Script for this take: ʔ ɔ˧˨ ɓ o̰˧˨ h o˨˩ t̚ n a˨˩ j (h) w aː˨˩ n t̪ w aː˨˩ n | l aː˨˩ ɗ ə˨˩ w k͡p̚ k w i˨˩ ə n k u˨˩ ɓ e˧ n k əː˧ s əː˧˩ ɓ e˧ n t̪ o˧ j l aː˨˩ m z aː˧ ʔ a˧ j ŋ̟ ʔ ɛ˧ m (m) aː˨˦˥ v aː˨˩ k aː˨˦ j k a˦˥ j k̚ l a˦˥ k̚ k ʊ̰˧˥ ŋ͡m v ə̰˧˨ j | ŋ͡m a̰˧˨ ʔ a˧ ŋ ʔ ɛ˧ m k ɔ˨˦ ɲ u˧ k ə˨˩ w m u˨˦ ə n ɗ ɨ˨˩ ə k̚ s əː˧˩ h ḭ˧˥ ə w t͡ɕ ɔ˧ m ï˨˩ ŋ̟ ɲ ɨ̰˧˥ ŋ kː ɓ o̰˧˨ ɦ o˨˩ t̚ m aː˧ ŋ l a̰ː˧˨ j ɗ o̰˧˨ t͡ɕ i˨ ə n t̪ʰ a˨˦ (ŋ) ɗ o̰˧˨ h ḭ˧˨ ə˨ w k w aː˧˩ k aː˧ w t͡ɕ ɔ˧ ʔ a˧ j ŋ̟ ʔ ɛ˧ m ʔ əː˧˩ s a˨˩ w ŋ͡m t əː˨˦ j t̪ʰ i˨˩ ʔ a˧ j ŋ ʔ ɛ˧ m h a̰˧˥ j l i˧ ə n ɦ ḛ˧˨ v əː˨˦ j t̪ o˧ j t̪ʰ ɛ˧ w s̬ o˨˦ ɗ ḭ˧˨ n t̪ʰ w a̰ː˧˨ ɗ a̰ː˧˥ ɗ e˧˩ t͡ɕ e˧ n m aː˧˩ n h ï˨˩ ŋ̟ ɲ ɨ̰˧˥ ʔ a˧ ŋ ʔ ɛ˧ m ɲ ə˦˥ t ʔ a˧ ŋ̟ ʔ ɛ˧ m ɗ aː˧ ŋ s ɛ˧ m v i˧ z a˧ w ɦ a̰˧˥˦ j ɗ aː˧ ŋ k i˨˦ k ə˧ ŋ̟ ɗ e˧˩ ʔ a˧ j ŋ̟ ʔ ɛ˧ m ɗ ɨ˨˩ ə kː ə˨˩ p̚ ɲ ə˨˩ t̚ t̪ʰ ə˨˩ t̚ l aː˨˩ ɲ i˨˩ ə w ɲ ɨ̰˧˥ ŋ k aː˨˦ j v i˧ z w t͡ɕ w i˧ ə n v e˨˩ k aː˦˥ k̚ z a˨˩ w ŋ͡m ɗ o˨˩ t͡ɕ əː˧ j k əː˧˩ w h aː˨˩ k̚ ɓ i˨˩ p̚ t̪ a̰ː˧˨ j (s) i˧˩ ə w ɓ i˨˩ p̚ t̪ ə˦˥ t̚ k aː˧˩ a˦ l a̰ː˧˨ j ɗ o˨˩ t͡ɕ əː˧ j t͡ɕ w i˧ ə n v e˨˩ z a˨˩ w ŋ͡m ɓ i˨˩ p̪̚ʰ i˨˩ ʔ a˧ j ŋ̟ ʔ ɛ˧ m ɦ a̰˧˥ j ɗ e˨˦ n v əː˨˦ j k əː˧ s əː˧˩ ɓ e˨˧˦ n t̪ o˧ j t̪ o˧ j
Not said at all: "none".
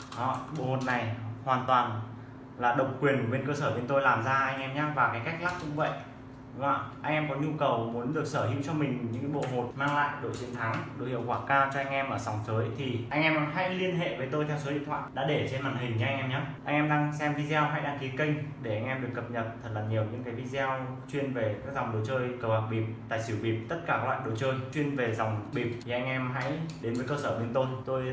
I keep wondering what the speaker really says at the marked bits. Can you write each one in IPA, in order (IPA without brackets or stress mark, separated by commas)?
h, ɲ, ŋ, s